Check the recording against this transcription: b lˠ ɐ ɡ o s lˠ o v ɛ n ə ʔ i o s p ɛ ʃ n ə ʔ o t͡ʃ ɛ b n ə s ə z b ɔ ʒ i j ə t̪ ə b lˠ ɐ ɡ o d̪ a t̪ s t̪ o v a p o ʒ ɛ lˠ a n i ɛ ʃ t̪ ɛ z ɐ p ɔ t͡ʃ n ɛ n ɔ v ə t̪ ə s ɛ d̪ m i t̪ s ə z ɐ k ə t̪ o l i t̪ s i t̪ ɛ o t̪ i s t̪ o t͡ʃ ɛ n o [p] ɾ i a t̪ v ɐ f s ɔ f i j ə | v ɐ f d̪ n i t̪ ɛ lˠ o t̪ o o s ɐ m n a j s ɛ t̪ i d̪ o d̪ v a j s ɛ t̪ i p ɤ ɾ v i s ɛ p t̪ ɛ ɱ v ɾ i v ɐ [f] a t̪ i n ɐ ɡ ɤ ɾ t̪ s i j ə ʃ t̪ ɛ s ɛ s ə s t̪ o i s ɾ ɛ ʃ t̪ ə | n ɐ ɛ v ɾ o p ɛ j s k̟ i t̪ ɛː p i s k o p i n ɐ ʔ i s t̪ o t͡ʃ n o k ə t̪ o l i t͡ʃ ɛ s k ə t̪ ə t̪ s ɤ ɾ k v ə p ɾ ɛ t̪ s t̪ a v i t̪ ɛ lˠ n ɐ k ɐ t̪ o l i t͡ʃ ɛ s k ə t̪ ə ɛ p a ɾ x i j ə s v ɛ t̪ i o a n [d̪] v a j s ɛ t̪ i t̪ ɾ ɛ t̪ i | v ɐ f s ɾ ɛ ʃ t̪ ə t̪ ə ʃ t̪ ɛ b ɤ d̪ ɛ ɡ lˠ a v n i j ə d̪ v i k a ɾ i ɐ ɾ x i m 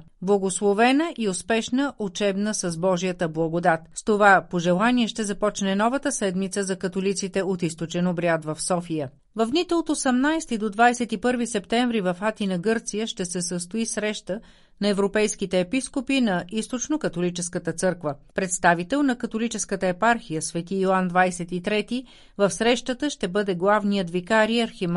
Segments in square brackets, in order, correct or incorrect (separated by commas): incorrect, correct, correct